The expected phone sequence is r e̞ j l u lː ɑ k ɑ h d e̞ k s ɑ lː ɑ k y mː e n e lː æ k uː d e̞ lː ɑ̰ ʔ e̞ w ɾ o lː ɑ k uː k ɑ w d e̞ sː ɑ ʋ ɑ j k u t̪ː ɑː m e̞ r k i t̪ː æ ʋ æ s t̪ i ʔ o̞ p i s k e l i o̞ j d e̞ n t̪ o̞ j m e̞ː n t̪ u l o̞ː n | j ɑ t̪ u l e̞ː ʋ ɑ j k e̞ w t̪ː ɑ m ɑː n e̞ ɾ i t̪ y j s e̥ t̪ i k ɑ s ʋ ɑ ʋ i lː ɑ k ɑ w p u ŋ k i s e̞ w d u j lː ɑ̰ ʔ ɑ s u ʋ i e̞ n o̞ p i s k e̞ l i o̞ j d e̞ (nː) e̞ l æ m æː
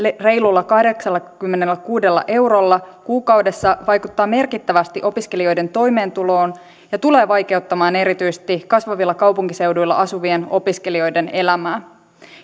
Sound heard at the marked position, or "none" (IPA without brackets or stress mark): n